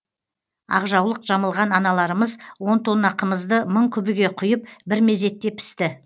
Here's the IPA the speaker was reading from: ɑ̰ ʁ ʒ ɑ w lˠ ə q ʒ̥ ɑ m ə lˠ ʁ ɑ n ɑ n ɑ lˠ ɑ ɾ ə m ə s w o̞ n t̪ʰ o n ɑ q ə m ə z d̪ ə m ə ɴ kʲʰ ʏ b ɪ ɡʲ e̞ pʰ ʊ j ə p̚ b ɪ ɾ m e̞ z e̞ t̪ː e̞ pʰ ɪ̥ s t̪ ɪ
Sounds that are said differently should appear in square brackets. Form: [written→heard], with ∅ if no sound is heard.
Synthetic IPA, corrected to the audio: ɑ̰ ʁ ʒ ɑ w lˠ ə q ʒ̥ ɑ m ə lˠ ʁ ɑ n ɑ n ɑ lˠ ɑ ɾ ə m ə [s→z] w o̞ n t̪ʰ o n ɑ q ə m ə z d̪ ə m ə ɴ kʲʰ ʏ b ɪ ɡʲ e̞ [pʰ→qʰ] ʊ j ə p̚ b ɪ ɾ m e̞ z e̞ t̪ː e̞ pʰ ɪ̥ s t̪ ɪ

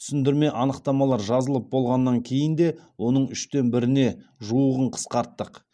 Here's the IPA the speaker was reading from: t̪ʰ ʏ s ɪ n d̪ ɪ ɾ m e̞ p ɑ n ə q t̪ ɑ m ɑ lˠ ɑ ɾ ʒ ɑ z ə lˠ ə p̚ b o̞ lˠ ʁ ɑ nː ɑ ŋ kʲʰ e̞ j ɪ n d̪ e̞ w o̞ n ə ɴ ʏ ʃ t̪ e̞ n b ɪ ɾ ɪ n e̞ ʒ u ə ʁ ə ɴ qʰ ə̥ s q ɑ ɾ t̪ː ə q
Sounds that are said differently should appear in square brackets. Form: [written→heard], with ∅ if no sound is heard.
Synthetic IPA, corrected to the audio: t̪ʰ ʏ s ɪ n d̪ ɪ ɾ m e̞ [p→ʔ] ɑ n ə q t̪ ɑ m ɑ lˠ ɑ ɾ ʒ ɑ z ə lˠ ə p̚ b o̞ lˠ ʁ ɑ nː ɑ ŋ kʲʰ e̞ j ɪ n d̪ e̞ w o̞ n ə ɴ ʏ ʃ t̪ e̞ n b ɪ ɾ ɪ n e̞ ʒ u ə ʁ ə ɴ qʰ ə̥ s q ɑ ɾ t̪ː ə q

